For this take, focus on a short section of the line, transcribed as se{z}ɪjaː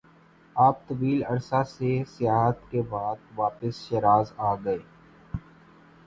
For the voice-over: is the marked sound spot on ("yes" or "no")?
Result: no